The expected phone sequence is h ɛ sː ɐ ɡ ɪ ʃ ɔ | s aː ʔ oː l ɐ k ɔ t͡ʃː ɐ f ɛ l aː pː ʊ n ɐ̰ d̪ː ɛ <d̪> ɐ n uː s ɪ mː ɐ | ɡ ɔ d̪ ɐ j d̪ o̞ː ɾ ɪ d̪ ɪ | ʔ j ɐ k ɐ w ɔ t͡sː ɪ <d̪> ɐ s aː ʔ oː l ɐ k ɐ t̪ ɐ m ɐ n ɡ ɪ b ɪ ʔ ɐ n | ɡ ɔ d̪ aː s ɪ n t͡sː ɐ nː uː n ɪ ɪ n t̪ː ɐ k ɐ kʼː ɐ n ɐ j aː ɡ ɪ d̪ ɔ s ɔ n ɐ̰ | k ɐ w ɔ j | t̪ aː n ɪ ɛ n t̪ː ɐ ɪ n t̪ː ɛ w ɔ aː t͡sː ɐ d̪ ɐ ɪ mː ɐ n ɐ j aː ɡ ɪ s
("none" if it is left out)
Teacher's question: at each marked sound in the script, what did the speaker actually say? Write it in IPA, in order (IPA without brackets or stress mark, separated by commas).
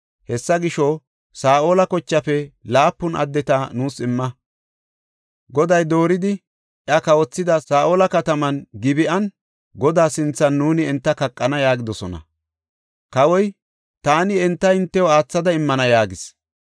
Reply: t̪, d̪